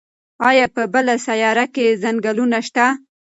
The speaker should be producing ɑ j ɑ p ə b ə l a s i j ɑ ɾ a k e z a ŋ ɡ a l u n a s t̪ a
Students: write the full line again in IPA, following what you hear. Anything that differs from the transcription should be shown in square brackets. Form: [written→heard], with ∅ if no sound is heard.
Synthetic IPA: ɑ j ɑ p ə b ə l a s [i→a] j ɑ ɾ a k e z a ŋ ɡ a l u n a [s→ʃ] t̪ a